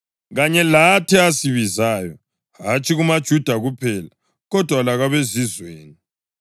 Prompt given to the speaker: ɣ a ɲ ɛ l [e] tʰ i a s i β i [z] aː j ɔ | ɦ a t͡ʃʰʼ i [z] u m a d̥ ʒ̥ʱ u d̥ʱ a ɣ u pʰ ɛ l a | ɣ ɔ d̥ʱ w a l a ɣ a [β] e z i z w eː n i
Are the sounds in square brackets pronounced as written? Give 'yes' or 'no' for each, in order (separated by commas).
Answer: no, yes, no, yes